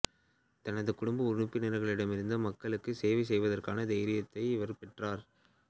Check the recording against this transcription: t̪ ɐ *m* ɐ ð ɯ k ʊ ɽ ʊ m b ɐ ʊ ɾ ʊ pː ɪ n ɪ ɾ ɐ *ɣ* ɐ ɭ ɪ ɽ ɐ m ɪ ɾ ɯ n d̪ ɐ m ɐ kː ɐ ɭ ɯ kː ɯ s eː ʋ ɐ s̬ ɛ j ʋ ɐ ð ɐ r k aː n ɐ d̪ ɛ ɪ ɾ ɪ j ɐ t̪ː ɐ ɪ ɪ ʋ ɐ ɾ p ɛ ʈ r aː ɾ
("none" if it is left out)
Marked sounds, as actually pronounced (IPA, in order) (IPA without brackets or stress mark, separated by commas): n, ɣ